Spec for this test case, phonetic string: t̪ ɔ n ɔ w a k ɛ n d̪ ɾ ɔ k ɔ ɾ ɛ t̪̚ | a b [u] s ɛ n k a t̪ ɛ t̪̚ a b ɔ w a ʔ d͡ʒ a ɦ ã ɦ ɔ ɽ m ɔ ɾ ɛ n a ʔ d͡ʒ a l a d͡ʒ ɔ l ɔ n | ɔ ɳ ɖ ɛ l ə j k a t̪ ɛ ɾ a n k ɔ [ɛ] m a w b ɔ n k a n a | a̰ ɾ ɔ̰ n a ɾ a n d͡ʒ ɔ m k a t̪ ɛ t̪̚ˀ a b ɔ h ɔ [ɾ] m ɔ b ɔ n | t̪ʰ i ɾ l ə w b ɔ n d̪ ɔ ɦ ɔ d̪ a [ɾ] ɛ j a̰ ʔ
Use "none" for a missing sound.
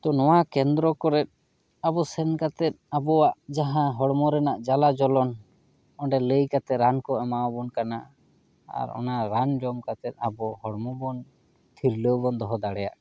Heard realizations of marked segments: ɔ, ɛ, ɽ, ɽ

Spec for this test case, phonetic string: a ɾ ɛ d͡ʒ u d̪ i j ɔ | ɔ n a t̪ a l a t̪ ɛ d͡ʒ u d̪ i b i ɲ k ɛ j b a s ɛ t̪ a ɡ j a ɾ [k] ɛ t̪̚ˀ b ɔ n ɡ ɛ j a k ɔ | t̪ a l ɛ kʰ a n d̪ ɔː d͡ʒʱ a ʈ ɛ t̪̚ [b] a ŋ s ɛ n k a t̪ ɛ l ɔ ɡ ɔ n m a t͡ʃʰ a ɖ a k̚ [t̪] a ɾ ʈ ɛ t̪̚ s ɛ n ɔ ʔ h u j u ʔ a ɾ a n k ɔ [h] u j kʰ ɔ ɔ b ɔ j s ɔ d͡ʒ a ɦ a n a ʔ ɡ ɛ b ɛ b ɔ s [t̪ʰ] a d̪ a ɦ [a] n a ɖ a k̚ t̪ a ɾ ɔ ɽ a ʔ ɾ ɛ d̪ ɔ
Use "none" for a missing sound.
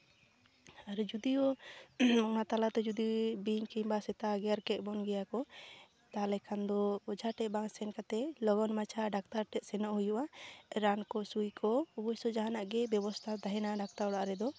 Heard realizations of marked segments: k, b, t̪, s, t̪ʰ, ɛ

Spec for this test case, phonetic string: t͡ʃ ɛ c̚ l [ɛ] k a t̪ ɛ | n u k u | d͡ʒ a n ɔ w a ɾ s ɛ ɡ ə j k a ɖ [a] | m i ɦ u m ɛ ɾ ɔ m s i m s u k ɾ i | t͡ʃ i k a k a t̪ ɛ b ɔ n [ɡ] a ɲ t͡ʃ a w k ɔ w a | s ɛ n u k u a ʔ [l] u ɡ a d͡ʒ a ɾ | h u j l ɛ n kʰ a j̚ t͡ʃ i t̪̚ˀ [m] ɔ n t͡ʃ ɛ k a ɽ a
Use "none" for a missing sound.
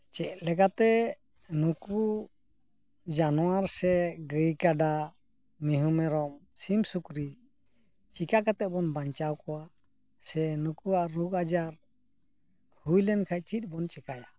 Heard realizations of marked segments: ɛ, a, b, ɾ, b

